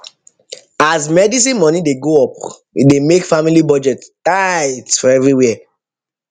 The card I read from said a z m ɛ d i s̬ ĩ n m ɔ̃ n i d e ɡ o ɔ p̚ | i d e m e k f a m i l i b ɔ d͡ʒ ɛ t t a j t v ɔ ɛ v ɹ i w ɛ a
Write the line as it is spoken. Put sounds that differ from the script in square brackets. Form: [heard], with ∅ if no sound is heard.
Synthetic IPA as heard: a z m ɛ d i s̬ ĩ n m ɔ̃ n i d e ɡ o ɔ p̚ | i d e m e k f a m i l i b ɔ d͡ʒ ɛ t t a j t [f] ɔ ɛ v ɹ i w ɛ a